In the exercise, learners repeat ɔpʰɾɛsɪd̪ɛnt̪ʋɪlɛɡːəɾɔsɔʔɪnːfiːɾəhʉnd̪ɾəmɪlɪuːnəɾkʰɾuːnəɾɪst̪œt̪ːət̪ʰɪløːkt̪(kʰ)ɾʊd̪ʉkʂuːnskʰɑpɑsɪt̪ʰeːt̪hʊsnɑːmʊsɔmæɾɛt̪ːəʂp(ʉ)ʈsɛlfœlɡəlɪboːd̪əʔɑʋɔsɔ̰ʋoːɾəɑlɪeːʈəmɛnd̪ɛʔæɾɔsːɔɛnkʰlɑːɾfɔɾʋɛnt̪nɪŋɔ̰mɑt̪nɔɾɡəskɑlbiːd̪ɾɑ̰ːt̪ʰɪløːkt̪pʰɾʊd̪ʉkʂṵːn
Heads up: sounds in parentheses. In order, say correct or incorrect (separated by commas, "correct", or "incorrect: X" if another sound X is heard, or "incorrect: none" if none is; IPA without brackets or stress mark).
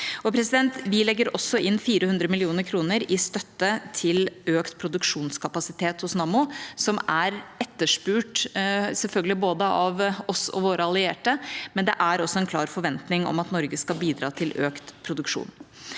incorrect: pʰ, incorrect: ʉː